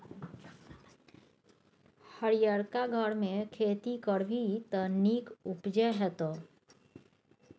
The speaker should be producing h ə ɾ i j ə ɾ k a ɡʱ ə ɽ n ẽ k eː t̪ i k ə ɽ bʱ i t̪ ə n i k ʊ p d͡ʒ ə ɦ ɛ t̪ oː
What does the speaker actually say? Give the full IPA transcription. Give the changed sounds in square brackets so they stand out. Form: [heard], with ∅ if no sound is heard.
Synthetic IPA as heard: h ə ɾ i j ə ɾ k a ɡʱ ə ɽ [m] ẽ [kʰ] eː t̪ i k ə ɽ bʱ i t̪ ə n i k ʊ p d͡ʒ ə ɦ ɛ t̪ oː